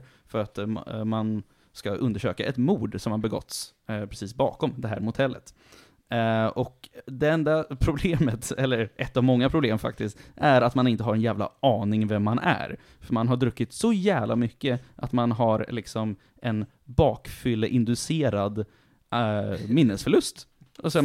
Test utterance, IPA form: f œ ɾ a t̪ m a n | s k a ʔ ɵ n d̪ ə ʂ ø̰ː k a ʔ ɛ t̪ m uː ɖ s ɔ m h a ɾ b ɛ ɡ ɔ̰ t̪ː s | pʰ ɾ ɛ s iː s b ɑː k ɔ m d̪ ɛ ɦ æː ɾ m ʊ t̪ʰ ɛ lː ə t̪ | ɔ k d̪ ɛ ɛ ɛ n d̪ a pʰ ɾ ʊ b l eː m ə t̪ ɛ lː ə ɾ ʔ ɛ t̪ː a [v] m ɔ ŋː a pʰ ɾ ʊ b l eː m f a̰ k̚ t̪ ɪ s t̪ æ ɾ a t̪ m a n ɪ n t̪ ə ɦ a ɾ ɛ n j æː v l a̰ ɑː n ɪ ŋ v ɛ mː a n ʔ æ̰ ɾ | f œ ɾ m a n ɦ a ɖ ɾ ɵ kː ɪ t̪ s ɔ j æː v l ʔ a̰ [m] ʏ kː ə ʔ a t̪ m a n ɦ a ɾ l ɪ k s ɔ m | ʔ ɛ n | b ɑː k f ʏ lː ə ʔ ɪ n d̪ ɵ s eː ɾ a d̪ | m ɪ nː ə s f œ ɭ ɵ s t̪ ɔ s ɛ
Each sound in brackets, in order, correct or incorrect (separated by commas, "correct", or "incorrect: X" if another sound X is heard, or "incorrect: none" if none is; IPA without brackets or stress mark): correct, correct